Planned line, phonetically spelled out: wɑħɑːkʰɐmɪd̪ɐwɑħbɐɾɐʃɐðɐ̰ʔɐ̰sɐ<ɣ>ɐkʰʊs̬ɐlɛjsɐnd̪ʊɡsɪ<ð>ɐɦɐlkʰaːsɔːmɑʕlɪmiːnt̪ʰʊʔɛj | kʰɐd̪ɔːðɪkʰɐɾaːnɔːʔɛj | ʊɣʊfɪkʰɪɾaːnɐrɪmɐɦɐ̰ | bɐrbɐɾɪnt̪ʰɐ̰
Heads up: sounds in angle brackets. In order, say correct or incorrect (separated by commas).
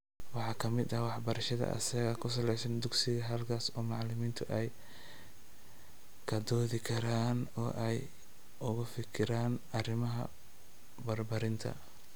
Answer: correct, incorrect